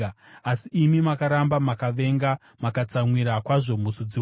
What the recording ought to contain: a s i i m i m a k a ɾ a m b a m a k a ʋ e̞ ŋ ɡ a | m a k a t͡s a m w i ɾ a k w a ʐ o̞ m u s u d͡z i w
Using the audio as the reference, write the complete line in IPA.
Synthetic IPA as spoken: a s i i m i m a k a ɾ a m b a m a k a ʋ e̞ ŋ ɡ a | m a k a t͡s a m w i ɾ a k w a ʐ o̞ m u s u d͡z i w